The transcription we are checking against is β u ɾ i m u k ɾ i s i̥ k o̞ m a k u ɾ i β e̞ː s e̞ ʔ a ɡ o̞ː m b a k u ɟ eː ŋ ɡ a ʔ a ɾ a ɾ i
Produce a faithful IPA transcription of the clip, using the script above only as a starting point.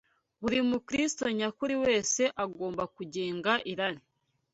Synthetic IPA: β u ɾ i m u k ɾ i s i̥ t o̞ ɲ a k u ɾ i w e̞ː s e̞ ʔ a ɡ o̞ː m b a k u ɟ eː ŋ ɡ a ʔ i ɾ a ɾ i